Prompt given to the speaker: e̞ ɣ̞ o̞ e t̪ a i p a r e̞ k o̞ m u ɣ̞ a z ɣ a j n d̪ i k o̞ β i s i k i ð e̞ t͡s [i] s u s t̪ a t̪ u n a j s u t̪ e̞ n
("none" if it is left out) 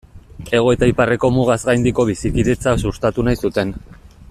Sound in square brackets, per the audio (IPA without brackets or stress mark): a